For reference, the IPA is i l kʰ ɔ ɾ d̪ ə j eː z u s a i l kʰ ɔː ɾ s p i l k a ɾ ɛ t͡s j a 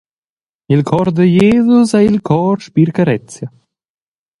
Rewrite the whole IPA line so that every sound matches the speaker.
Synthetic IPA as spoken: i l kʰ ɔ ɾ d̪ ə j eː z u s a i l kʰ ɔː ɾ ʃ p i ɾ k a ɾ ɛ t͡s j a